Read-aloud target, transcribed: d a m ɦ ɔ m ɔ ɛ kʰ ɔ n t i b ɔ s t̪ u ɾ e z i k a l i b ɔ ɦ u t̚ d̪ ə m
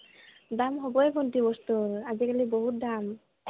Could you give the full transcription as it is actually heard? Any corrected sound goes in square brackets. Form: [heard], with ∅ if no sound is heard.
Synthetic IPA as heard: d a m ɦ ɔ [b] ɔ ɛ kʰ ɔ n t i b ɔ s t̪ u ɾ [a] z i k a l i b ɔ ɦ u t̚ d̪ [a] m